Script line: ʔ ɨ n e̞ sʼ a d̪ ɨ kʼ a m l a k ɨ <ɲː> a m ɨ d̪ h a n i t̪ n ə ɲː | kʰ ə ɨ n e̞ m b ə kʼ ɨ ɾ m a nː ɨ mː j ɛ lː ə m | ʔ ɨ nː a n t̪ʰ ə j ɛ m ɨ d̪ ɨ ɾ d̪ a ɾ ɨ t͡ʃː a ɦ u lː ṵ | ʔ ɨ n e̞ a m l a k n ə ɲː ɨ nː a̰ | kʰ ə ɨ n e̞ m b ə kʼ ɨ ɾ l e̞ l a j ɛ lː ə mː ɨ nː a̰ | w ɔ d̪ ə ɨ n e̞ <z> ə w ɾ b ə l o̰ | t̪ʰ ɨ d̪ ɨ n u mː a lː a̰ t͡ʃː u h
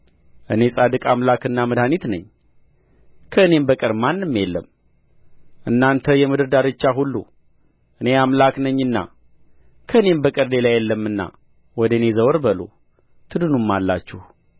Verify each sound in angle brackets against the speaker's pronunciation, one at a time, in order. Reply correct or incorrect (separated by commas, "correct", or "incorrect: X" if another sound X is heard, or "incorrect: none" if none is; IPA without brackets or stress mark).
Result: incorrect: nː, correct